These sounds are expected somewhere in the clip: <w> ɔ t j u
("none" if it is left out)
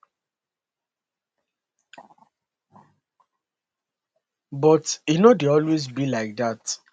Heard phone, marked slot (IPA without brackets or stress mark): b